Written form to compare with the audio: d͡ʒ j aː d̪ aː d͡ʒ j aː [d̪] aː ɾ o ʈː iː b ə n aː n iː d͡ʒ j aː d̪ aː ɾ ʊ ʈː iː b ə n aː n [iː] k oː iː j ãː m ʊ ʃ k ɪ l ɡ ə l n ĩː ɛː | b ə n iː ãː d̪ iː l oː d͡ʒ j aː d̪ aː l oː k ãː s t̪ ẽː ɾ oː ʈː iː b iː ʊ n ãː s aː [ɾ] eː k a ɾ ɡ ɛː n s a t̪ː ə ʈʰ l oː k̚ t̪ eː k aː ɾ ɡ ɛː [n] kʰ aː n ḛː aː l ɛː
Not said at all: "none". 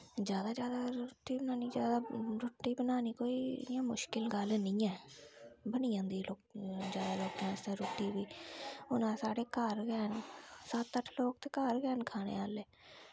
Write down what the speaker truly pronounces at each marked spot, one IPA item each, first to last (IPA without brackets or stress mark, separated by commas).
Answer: d̪, iː, ɽ, n